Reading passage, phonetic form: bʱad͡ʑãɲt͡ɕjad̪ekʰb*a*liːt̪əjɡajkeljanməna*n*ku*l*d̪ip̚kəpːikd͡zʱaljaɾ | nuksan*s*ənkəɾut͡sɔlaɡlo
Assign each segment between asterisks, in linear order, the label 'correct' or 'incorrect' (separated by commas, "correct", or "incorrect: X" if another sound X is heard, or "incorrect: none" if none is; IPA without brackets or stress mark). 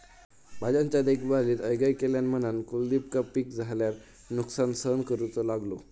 correct, correct, correct, correct